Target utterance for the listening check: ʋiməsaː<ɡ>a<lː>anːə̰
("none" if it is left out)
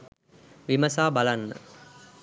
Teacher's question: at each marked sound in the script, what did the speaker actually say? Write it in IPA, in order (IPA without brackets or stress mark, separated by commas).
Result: b, l